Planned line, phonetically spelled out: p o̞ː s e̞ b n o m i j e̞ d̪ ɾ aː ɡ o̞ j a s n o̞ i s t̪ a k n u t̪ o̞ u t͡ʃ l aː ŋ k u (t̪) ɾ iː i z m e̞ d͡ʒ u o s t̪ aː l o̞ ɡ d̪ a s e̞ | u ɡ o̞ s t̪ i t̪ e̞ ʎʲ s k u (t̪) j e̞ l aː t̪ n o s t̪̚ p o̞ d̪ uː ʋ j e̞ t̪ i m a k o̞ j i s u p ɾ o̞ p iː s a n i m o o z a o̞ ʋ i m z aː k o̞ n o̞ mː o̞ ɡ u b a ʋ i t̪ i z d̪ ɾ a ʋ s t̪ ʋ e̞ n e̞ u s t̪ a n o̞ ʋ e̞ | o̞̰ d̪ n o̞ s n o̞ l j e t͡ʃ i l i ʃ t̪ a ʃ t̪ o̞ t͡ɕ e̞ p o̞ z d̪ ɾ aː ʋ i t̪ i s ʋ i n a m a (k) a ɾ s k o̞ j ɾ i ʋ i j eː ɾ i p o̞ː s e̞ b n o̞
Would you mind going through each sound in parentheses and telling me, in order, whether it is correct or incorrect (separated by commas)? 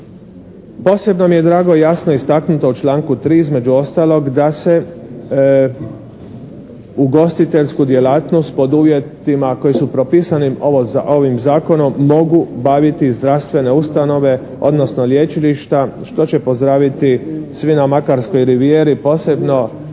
correct, incorrect, correct